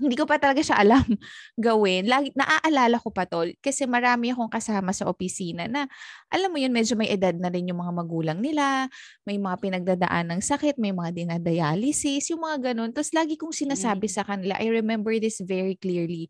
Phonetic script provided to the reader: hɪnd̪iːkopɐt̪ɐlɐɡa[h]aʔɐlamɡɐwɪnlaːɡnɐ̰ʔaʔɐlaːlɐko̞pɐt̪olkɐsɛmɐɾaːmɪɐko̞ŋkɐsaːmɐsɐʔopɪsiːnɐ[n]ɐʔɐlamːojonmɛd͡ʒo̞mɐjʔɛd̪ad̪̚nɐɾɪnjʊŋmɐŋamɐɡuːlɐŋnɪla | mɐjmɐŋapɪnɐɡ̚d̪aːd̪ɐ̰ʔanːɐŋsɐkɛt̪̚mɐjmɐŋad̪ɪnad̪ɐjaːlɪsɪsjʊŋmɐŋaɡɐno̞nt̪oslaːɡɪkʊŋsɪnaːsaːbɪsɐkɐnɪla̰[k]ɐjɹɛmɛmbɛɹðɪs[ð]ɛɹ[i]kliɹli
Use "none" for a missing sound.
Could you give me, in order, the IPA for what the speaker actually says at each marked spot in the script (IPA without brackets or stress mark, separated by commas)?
ʃ, n, ʔ, v, i